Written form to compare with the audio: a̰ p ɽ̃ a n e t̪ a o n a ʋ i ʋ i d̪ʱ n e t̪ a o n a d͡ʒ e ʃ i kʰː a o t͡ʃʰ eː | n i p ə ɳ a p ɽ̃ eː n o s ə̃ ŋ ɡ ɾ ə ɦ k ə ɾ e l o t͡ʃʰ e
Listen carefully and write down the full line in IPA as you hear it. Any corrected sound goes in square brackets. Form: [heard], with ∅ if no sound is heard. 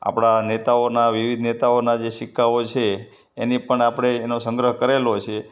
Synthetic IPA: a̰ p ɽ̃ a n e t̪ a o n a ʋ i ʋ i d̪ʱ n e t̪ a o n a d͡ʒ e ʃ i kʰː a o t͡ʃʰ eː | n i p ə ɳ a p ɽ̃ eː n o s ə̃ ŋ ɡ ɾ ə ɦ k ə ɾ e l o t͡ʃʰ e